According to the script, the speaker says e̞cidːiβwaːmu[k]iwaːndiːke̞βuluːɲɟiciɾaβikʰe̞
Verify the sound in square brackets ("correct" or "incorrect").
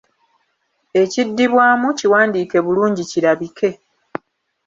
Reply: incorrect